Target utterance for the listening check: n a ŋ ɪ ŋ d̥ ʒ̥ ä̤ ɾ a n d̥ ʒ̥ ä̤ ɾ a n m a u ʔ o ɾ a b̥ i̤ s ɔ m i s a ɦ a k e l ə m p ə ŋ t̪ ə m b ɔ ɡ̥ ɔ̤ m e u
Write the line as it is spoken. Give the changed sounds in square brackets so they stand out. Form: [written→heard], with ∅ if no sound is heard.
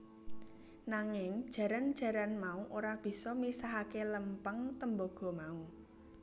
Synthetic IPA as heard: n a ŋ ɪ ŋ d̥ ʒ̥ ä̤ ɾ a n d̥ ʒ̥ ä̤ ɾ a n m a u ʔ o ɾ a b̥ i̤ s ɔ m i s a ɦ a k e l ə m p ə ŋ t̪ ə m b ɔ ɡ̥ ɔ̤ m [e→a] u